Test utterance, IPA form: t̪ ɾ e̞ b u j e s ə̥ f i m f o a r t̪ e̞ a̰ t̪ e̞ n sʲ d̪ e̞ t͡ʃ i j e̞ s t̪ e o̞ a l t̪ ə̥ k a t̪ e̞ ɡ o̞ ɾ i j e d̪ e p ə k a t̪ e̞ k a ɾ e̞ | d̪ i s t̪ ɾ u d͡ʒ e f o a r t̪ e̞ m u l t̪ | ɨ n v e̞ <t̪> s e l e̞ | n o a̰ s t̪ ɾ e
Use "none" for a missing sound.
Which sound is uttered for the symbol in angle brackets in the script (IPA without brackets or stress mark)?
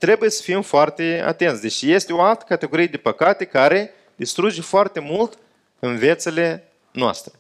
t̪